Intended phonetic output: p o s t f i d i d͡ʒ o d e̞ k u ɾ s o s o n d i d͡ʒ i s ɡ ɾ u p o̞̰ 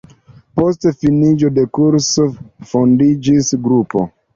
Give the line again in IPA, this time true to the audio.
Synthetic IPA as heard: p o s t f i n i d͡ʒ o d e̞ k u ɾ s o f o n d i d͡ʒ i s ɡ ɾ u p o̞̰

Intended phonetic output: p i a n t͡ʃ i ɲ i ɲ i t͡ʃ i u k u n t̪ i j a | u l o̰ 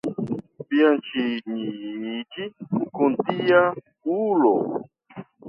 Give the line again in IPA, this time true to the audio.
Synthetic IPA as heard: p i a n t͡ʃ i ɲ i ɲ i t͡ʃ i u k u n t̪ i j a | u l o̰

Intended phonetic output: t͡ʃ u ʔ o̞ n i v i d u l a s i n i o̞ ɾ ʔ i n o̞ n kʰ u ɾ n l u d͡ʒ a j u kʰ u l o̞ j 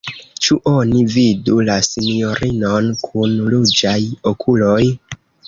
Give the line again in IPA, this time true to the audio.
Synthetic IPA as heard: t͡ʃ u ʔ o̞ n i v i d u l a s i n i o̞ ɾ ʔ i n o̞ n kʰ u n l u d͡ʒ a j o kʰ u l o̞ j

